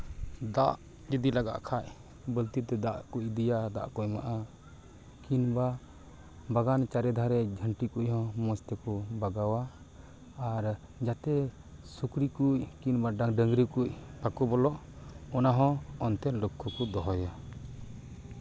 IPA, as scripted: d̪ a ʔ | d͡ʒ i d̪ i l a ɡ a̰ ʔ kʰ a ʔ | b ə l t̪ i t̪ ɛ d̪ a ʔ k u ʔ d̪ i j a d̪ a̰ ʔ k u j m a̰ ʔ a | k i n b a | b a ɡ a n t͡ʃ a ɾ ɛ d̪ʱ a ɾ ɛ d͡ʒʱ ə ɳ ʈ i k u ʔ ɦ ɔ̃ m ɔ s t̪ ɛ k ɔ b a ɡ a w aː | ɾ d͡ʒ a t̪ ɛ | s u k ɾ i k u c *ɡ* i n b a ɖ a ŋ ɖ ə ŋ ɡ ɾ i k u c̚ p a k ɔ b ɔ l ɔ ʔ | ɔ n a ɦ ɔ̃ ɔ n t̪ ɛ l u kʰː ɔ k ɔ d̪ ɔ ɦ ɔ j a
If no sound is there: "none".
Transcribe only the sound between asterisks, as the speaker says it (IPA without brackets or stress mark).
k